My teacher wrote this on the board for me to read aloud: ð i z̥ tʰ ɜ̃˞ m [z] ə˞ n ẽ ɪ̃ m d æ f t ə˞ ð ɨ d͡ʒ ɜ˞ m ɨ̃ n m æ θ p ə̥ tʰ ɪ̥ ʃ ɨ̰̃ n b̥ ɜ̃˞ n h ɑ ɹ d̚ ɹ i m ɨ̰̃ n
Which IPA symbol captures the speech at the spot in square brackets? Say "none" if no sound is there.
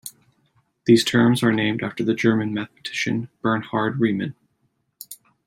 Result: z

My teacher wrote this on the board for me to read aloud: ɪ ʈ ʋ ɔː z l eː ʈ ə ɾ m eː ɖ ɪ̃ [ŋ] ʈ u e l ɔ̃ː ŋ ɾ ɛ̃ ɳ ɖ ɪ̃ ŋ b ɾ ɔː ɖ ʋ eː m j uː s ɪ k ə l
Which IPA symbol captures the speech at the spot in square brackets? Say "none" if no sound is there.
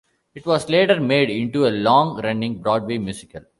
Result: ɳ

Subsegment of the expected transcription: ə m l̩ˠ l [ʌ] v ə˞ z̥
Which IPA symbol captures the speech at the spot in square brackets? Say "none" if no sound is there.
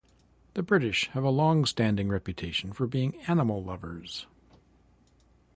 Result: ʌ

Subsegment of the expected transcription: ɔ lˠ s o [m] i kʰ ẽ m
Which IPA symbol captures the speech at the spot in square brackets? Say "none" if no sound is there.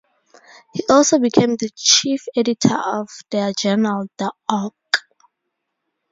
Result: b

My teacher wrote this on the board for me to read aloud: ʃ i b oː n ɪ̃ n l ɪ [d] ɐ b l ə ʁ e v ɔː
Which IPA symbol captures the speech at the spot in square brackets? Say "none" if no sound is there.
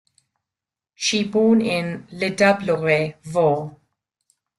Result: d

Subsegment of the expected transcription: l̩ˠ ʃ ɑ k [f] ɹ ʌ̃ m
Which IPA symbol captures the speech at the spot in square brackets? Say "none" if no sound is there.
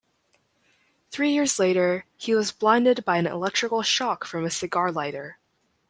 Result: f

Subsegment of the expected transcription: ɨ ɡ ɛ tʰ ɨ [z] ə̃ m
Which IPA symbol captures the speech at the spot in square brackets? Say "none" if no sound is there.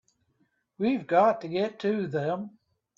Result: ð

